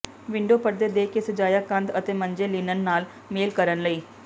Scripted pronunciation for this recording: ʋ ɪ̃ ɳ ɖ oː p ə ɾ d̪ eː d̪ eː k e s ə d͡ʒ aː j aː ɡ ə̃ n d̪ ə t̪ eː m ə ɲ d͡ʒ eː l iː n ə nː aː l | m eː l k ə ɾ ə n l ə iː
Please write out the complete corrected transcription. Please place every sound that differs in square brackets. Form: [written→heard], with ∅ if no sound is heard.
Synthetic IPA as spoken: ʋ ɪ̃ ɳ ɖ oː p ə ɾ d̪ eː d̪ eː k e s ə d͡ʒ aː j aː [ɡ→k] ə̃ n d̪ ə t̪ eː m ə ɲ d͡ʒ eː l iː n ə nː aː l | m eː l k ə ɾ ə n l ə iː